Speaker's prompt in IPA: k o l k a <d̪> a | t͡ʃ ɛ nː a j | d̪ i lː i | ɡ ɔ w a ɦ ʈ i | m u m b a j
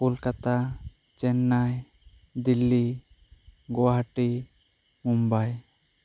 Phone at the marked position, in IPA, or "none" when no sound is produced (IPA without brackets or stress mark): t̪